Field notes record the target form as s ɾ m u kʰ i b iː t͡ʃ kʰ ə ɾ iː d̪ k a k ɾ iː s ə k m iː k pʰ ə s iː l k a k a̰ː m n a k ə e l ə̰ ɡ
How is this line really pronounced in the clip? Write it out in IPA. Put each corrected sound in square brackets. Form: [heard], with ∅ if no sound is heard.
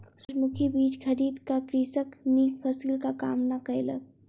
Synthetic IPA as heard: s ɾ m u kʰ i b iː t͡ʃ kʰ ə ɾ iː d̪ k a k ɾ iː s ə k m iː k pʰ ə s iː l k a k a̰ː m n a k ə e l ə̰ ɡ